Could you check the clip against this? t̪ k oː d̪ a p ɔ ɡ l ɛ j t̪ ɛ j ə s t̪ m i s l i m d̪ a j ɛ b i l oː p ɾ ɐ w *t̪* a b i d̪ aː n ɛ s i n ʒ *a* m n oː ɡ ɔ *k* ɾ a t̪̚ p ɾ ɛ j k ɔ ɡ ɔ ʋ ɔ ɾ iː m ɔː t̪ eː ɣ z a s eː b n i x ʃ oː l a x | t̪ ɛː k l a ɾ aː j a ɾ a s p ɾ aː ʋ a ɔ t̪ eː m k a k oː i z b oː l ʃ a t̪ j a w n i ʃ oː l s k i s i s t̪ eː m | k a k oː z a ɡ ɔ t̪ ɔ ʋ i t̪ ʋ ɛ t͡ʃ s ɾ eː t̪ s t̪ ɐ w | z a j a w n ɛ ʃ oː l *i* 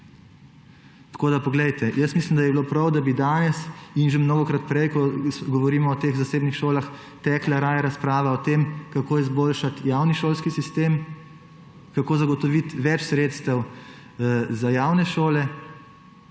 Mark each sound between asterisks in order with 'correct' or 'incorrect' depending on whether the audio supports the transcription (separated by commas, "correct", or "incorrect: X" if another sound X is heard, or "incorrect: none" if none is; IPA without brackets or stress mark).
incorrect: d̪, incorrect: e, correct, incorrect: ɛ